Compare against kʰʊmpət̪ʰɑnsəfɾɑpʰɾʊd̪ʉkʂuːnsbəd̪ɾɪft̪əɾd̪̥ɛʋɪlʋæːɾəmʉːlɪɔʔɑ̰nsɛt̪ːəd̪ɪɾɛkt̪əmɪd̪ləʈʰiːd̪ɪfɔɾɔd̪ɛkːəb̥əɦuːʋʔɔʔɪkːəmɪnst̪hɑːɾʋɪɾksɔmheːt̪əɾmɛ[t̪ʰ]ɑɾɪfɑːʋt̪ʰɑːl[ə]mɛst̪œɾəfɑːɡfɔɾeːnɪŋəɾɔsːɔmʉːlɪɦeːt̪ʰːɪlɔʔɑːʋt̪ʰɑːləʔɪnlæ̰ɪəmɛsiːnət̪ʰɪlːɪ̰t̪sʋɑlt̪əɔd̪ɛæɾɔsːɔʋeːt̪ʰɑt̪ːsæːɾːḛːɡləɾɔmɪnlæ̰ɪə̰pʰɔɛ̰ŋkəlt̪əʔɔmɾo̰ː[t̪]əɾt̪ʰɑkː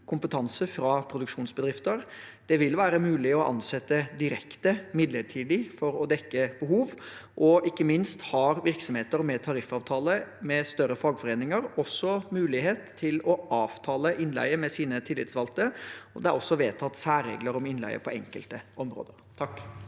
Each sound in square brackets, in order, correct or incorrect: correct, correct, incorrect: d̪

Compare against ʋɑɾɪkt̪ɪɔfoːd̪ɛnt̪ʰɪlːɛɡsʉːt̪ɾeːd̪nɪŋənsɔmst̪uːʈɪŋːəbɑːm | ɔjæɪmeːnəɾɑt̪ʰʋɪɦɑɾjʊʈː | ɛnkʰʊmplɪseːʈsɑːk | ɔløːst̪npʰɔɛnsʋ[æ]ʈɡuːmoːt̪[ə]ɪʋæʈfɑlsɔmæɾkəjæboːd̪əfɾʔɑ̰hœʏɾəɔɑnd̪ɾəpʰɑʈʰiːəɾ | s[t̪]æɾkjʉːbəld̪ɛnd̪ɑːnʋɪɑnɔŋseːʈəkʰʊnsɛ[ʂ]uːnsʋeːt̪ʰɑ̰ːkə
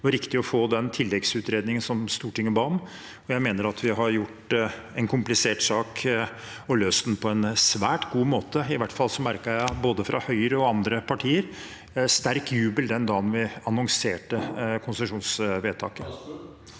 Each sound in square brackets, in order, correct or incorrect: incorrect: æː, correct, correct, correct

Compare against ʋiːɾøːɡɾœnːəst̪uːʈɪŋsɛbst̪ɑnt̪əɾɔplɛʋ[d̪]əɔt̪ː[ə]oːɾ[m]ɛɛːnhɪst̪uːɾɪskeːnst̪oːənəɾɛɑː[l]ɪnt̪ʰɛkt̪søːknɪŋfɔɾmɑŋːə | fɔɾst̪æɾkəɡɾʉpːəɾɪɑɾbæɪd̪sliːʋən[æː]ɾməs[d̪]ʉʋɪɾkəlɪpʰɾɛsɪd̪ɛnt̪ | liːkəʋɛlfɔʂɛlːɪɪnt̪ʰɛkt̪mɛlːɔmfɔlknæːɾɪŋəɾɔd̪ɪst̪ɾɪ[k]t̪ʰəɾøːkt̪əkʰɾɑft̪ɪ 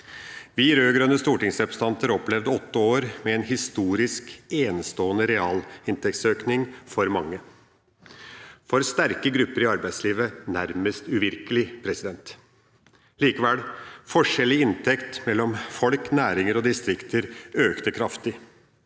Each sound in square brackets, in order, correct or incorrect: correct, correct, correct, correct, incorrect: æ, incorrect: t̪, correct

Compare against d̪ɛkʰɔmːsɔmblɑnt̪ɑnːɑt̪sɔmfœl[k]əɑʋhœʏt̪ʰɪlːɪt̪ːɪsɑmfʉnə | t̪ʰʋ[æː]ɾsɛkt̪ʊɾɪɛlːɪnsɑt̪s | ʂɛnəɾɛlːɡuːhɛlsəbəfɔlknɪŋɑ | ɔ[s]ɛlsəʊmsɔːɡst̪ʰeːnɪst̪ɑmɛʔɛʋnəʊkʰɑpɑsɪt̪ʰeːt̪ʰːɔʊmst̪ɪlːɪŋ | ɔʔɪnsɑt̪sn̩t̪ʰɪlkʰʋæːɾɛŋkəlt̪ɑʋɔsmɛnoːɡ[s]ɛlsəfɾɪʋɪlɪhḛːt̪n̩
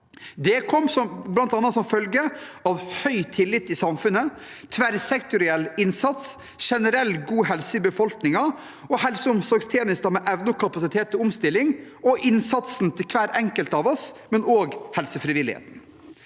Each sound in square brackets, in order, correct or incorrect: incorrect: ɡ, incorrect: æ, incorrect: h, incorrect: h

